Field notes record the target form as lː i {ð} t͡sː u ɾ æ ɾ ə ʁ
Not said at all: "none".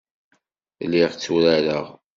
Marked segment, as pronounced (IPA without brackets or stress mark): ʁ